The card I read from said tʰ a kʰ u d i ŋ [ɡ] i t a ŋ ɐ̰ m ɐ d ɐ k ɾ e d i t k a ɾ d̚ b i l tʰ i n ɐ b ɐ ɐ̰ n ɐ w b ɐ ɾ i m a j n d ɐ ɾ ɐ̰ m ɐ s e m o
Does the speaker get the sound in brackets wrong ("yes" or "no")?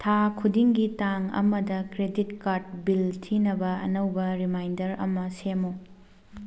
no